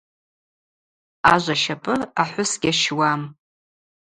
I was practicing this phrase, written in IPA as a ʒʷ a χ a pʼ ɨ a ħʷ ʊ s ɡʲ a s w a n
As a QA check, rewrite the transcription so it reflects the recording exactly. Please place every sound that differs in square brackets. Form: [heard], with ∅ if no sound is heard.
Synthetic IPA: a ʒʷ a [ʃ] a pʼ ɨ a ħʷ ʊ s ɡʲ a [ʃ] w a [m]

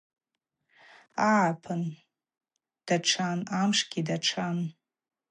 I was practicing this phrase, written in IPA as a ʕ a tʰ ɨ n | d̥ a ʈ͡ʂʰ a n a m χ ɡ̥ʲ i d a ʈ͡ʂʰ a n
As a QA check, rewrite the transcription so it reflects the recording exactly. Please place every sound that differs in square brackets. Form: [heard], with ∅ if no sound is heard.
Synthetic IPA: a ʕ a [pʰ] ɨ n | d̥ a ʈ͡ʂʰ a n a m [ʂ] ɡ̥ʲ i d a ʈ͡ʂʰ a n

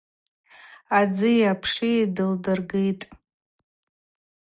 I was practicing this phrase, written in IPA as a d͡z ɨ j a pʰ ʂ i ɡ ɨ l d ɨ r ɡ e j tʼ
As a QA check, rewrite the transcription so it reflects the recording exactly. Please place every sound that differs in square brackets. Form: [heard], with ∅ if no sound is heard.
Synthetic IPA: a d͡z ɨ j a pʰ ʂ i [d] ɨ l d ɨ r ɡ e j tʼ

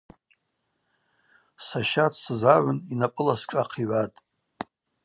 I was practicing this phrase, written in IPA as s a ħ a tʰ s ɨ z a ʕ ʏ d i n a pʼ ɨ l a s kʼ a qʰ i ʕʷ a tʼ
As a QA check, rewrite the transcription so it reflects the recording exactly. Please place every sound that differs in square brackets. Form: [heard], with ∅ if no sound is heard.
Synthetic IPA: s a [ʃ] a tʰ s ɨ z a ʕ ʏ [n] i n a pʼ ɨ l a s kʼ a qʰ i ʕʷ a tʼ

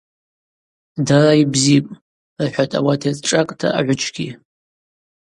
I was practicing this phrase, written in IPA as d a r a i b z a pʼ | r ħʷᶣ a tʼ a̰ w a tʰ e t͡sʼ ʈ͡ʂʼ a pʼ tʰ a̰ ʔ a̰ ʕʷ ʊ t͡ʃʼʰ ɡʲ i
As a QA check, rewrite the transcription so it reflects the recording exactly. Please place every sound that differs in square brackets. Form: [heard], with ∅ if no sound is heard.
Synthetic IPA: d a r a i b z [i] pʼ | r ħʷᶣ a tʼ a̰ w a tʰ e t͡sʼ ʈ͡ʂʼ a [kʼ] tʰ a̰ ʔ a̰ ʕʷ ʊ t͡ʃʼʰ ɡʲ i

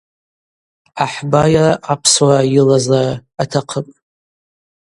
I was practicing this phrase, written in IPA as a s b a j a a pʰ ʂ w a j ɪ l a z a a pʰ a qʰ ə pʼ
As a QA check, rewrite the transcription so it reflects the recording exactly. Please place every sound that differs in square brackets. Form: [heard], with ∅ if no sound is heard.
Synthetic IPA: a [ħ] b a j a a pʰ [s] w a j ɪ l a z a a [tʰ] a qʰ ə pʼ

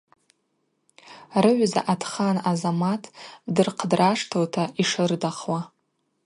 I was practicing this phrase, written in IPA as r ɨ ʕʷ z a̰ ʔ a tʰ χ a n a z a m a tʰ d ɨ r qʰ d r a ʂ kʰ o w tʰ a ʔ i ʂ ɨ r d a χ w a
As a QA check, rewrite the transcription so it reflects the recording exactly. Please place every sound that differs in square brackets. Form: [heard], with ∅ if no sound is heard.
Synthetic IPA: r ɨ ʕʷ z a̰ ʔ a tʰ χ a n a z a m a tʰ d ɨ r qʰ d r a ʂ [tʰ] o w tʰ a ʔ i ʂ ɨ r d a χ w a

